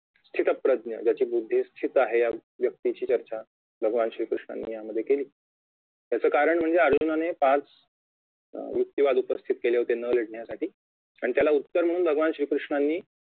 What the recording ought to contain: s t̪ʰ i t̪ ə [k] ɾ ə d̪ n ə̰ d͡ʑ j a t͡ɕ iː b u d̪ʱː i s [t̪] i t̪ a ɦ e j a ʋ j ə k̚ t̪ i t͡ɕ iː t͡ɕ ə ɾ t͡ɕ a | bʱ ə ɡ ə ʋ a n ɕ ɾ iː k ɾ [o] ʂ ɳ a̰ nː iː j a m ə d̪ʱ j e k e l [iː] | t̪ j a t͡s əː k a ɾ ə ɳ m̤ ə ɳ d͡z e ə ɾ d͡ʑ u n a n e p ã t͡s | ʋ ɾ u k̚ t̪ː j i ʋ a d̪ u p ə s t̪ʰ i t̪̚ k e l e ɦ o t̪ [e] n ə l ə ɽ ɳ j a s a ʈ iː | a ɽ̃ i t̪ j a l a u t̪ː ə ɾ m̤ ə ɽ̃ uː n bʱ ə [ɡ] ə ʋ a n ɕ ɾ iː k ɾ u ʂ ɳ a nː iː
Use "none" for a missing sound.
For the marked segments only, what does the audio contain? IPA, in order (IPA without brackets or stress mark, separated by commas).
p, t̪ʰ, u, iː, e, ɡ